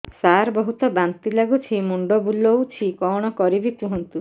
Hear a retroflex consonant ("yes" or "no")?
yes